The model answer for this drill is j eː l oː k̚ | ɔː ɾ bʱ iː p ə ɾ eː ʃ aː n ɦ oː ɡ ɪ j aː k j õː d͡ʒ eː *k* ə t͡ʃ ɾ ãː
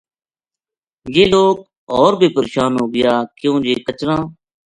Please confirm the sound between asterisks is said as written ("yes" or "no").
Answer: yes